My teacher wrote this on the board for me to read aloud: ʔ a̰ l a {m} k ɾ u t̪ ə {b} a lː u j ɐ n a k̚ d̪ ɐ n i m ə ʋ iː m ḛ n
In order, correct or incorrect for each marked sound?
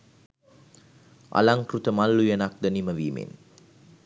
incorrect: ŋ, incorrect: m

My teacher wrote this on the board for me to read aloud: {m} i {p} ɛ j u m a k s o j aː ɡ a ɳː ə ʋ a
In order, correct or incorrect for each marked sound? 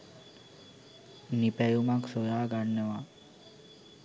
incorrect: n, correct

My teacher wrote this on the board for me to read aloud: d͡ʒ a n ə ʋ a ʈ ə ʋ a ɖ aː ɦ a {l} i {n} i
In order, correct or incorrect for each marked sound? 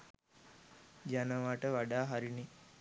incorrect: ɾ, correct

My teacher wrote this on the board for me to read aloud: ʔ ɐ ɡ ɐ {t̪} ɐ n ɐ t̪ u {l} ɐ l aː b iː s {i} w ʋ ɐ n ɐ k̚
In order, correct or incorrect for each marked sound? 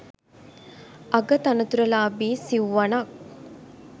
correct, incorrect: ɾ, correct

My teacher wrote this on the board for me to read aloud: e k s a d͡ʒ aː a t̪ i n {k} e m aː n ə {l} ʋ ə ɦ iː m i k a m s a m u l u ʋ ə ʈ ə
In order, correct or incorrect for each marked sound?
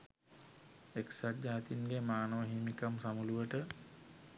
incorrect: ɡ, incorrect: none

